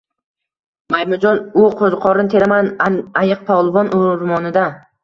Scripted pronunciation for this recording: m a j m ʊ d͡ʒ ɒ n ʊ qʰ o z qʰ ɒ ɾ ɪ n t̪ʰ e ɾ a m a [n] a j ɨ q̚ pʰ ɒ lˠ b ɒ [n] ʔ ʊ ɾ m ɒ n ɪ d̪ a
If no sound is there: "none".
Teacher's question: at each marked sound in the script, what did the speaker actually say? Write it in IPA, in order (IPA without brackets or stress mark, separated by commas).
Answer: n, n